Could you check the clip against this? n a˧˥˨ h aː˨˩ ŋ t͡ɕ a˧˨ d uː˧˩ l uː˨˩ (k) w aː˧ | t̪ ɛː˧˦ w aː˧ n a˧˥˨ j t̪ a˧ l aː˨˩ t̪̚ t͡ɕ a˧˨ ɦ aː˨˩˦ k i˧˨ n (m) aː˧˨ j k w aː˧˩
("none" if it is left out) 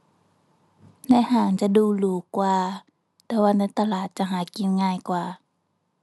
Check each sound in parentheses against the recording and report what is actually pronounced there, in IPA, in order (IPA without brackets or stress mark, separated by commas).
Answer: k, ŋ